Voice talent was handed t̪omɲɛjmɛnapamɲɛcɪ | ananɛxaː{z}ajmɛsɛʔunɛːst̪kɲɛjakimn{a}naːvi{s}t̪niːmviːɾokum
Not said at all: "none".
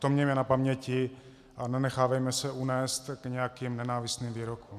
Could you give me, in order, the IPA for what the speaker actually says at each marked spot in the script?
v, ɛ, s

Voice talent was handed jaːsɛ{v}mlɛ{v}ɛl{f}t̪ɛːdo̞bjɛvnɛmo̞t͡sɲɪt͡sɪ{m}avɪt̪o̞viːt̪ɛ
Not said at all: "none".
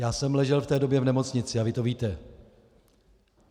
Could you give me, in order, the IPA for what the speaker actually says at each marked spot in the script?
none, ʒ, f, none

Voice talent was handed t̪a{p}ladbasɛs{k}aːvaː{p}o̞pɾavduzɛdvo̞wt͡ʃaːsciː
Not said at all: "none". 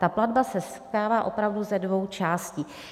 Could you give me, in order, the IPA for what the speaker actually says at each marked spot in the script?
p, k, ʔ

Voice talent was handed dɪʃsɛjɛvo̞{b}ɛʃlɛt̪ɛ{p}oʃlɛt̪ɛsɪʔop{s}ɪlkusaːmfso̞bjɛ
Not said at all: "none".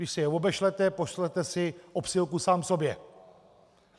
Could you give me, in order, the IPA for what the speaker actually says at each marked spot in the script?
b, p, s

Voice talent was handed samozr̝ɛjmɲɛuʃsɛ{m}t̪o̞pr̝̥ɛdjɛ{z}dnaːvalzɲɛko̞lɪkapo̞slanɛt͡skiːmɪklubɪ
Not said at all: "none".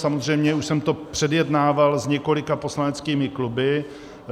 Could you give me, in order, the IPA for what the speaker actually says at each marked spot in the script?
m, none

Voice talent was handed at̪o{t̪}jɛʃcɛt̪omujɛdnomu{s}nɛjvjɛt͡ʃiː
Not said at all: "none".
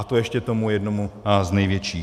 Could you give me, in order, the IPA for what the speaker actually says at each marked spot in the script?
none, z

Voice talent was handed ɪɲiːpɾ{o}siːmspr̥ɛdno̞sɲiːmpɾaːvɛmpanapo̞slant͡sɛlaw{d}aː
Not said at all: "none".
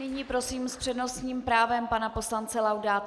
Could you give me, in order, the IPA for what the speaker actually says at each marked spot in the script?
o, d

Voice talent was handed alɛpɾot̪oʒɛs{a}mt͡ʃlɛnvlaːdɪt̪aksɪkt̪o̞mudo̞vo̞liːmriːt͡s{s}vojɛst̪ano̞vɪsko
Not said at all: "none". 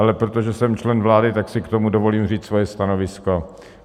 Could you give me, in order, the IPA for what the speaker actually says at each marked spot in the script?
ɛ, s

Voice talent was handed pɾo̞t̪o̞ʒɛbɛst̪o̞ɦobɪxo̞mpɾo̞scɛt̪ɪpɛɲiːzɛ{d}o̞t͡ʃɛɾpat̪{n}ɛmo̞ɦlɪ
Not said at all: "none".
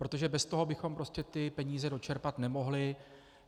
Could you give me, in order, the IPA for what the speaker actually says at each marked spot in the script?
d, n

